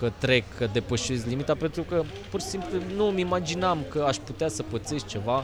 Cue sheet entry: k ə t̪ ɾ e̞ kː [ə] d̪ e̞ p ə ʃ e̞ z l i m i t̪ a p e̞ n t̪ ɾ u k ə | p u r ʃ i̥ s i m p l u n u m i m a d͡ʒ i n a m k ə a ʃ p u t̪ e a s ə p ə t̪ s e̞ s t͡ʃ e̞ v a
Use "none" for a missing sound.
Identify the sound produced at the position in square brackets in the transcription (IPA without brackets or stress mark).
ə